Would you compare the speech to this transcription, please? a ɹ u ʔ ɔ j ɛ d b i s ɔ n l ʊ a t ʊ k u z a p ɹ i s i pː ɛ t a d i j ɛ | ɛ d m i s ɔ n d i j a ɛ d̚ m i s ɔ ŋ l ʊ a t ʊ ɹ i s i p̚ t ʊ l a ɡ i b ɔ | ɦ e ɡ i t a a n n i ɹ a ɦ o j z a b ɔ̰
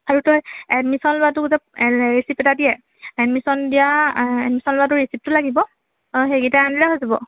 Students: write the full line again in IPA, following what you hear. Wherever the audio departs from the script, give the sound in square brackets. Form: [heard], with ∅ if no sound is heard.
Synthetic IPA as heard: a ɹ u [t] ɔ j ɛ d [m] i s ɔ n l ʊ a t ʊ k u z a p ɹ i s i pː ɛ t a d i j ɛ | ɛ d m i s ɔ n d i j a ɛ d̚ m i s ɔ [n] l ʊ a t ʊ ɹ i s i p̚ t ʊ l a ɡ i b ɔ | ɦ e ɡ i t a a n [d] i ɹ a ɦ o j z a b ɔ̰